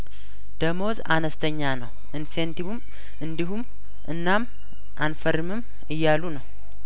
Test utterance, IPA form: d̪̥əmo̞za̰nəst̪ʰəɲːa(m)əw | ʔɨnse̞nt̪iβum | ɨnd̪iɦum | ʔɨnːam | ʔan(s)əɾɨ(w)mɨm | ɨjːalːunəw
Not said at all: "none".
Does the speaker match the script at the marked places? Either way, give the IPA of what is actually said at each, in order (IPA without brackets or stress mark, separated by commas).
n, f, none